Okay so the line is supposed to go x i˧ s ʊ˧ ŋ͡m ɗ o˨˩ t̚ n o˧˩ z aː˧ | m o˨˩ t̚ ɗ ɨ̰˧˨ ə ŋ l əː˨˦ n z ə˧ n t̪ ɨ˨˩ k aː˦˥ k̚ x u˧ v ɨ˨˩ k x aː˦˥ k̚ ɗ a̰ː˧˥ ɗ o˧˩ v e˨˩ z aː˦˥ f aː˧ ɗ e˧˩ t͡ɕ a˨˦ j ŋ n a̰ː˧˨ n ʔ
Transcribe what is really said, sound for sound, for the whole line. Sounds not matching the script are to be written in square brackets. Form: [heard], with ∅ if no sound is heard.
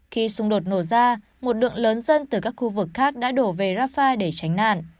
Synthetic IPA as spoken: x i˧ s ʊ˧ ŋ͡m ɗ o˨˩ t̚ n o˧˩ z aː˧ | m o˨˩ t̚ ɗ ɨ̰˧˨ ə ŋ l əː˨˦ n z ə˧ n t̪ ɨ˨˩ k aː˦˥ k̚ x u˧ v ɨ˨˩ k x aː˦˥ k̚ ɗ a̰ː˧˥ ɗ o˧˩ v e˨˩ z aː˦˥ f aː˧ ɗ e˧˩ t͡ɕ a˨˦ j ŋ n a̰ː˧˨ n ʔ